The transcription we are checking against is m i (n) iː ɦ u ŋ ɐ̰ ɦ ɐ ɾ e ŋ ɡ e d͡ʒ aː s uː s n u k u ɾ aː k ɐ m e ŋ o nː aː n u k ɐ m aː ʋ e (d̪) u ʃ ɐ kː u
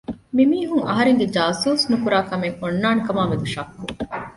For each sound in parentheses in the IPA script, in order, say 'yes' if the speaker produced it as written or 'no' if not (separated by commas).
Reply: no, yes